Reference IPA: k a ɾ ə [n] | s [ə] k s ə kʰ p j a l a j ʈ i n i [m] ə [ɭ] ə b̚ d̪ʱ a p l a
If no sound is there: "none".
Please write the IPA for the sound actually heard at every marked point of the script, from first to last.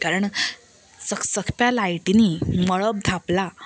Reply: ɳ, ə, m, ɭ

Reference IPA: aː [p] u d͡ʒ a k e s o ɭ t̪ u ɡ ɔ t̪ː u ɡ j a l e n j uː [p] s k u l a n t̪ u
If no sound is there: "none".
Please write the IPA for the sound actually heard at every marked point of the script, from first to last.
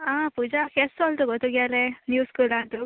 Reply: p, none

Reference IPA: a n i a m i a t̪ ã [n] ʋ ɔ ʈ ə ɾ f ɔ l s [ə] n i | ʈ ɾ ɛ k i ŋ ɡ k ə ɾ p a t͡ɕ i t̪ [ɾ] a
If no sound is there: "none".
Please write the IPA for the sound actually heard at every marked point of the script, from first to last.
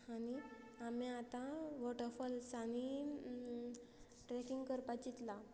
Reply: none, a, l

